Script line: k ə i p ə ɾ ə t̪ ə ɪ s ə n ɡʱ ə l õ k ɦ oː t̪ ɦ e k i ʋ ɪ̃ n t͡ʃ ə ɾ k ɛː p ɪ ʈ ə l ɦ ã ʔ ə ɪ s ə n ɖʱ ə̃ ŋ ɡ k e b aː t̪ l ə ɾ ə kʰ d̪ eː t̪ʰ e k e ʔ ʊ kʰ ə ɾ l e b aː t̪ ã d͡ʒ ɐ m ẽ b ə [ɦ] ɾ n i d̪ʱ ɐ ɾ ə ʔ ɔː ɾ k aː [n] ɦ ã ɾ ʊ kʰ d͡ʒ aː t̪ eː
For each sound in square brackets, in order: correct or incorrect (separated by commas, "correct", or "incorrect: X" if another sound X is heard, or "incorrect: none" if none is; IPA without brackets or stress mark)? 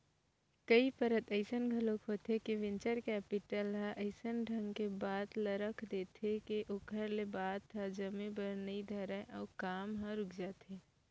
incorrect: none, incorrect: m